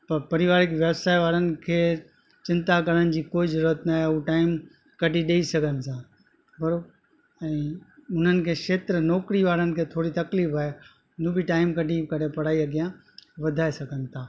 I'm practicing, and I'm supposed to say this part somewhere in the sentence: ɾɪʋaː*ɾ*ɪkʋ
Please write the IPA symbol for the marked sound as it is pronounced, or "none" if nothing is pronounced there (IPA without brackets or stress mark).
ɾ